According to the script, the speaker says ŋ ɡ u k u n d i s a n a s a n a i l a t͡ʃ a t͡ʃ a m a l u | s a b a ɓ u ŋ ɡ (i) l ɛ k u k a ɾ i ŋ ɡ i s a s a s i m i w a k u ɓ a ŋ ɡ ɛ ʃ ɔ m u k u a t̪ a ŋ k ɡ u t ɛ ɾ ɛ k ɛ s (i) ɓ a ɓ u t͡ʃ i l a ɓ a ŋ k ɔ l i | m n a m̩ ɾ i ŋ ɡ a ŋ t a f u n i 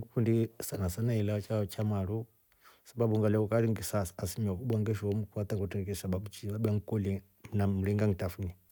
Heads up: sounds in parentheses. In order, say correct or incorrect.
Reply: incorrect: a, incorrect: a

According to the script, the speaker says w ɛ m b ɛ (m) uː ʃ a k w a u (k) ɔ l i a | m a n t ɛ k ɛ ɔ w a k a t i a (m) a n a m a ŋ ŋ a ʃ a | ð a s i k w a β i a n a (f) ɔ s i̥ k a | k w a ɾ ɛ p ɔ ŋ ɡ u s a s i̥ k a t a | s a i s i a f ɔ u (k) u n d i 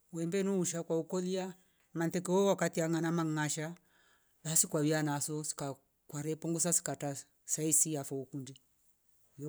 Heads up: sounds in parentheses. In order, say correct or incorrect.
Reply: incorrect: n, correct, incorrect: ŋ, incorrect: s, correct

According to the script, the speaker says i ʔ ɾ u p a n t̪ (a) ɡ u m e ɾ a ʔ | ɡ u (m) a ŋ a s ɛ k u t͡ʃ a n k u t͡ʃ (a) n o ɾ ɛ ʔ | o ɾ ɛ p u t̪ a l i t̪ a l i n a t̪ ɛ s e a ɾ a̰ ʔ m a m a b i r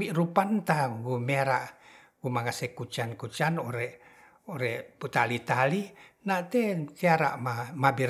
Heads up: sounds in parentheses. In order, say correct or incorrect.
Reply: correct, correct, correct

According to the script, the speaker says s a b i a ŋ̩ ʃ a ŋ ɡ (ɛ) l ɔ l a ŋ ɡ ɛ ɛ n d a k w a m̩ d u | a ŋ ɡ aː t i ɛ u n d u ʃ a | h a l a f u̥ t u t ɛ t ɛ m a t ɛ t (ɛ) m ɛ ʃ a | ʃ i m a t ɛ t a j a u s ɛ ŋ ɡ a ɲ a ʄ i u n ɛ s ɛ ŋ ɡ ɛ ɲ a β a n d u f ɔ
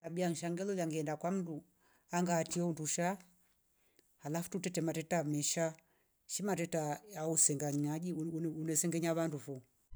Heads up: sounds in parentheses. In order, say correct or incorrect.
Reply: correct, incorrect: a

